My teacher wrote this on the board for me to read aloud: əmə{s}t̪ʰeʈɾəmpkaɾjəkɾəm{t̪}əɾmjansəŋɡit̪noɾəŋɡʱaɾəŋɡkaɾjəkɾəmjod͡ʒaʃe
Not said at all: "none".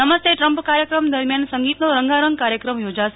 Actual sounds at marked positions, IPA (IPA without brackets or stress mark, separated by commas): s, d̪